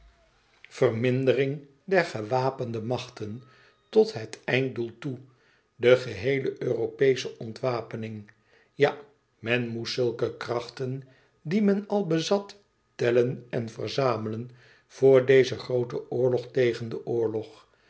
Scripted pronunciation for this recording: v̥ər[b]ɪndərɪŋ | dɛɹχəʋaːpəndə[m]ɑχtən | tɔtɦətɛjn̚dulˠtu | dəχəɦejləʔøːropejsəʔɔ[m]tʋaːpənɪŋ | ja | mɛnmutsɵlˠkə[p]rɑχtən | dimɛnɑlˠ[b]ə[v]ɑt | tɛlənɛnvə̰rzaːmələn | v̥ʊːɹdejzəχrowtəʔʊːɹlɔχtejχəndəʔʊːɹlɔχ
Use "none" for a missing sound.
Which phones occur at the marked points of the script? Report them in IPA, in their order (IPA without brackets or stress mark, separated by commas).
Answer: m, m, n, k, b, z